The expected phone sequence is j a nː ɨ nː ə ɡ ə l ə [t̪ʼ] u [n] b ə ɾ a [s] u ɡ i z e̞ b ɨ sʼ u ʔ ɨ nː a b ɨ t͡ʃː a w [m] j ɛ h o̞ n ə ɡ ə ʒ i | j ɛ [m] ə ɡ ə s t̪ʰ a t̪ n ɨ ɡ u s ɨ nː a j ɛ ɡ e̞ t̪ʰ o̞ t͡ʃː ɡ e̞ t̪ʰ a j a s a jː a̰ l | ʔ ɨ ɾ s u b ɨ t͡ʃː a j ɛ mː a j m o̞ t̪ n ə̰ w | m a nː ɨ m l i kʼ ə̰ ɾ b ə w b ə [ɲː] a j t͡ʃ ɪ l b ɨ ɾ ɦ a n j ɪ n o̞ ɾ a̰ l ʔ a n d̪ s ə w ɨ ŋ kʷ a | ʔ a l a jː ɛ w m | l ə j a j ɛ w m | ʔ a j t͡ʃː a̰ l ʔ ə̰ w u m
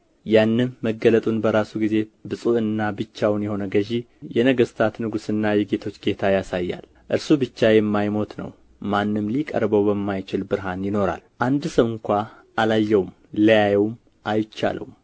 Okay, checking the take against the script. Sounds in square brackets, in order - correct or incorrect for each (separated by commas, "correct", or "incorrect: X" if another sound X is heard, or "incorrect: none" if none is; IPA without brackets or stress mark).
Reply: correct, correct, correct, incorrect: n, incorrect: n, incorrect: mː